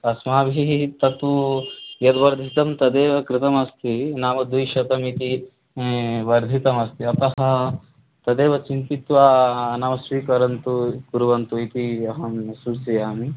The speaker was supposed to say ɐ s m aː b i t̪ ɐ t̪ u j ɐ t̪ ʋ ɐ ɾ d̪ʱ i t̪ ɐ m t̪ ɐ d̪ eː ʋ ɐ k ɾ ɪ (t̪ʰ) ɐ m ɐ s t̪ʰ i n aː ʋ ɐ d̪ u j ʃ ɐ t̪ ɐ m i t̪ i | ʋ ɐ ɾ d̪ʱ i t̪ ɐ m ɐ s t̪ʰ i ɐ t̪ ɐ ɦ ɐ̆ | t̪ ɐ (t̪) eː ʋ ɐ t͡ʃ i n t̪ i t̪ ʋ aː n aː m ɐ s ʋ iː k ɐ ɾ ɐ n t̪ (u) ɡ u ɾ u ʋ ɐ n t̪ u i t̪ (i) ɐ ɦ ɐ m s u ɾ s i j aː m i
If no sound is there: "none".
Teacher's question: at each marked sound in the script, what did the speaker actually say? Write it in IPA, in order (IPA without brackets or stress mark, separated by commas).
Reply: t̪, d̪, u, i